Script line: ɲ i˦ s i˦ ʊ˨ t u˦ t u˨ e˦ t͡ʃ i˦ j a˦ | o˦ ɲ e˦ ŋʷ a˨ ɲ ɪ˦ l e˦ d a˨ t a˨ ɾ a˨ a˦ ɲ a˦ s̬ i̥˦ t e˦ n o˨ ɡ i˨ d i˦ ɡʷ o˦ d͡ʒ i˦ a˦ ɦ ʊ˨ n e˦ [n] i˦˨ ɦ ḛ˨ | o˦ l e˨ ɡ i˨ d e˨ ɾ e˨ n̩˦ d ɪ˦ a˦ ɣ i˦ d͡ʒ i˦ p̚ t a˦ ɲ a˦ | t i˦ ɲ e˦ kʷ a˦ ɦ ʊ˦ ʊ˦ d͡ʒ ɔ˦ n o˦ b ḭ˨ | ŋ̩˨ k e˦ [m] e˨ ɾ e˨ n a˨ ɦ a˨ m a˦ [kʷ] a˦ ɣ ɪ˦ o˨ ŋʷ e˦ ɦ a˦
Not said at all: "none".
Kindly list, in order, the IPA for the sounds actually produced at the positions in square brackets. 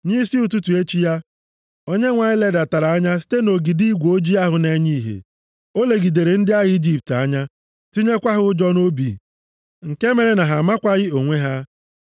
ɲ, m, kʷ

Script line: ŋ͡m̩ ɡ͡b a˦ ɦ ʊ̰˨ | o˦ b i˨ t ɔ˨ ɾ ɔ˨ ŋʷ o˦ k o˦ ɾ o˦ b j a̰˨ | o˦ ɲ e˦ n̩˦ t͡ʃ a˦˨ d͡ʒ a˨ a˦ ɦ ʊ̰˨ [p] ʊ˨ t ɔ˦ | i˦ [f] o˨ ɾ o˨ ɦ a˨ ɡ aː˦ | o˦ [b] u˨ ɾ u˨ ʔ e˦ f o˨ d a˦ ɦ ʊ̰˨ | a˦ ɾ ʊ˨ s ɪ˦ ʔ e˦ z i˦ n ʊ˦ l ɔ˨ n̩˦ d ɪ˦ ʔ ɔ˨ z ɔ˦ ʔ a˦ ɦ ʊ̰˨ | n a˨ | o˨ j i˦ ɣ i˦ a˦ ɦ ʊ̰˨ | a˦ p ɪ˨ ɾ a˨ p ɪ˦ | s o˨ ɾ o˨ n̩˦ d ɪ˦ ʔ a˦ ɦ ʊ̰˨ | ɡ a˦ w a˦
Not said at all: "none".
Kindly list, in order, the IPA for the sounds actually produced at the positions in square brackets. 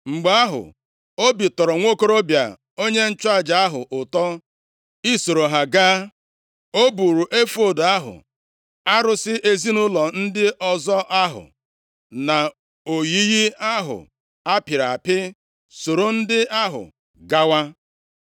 ʔ, s, b

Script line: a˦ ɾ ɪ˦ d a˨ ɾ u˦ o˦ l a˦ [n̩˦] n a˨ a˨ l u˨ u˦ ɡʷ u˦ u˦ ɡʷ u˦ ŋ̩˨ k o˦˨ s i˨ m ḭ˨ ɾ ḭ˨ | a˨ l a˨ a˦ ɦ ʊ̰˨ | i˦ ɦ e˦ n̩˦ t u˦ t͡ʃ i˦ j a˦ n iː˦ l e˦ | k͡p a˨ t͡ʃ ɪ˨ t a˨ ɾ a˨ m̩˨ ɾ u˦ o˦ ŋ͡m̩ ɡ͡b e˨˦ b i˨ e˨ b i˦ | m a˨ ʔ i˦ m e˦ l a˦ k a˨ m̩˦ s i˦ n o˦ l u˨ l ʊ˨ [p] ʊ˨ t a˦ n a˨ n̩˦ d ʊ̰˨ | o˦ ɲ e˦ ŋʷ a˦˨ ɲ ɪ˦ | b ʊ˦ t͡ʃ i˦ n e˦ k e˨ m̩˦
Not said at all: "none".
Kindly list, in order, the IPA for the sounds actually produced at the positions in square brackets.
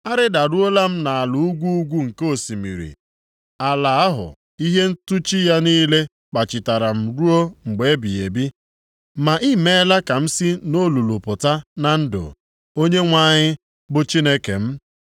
m̩˦, p

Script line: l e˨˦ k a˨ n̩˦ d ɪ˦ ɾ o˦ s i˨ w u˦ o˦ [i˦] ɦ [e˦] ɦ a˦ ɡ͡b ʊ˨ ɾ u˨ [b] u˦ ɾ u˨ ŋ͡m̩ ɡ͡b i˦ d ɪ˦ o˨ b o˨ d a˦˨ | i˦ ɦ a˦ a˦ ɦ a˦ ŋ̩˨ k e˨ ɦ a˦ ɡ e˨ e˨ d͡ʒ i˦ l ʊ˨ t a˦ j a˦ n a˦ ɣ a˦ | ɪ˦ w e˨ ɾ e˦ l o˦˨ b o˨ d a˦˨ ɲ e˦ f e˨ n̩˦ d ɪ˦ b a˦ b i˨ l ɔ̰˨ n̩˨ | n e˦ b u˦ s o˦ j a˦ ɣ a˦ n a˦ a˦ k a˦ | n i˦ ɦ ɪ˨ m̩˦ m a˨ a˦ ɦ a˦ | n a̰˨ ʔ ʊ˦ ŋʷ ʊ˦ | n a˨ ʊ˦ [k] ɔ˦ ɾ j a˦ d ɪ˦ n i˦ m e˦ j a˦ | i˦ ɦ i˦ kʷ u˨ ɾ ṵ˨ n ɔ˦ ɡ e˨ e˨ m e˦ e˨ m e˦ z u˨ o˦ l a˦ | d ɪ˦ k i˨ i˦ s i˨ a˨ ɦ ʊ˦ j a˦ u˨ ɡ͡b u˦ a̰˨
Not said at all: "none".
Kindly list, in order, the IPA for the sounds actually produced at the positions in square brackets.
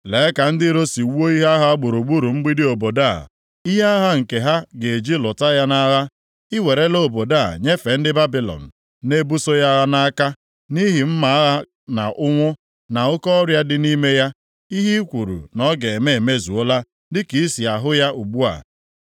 i˦, a˦, ɡ͡b, k

